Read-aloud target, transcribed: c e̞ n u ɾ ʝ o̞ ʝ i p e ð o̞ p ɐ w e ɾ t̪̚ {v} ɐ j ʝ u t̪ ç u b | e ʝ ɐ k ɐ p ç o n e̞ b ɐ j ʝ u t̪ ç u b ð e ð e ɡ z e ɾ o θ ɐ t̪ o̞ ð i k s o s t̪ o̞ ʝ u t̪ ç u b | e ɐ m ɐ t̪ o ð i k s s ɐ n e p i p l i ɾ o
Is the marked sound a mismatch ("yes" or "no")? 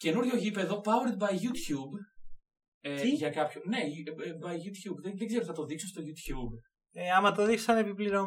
yes